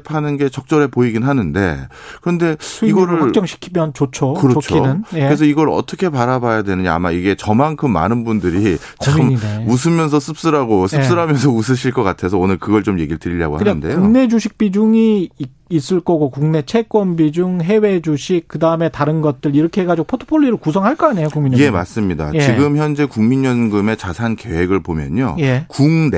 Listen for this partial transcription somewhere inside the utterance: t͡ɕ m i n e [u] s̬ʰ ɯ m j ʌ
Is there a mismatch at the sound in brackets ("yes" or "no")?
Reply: no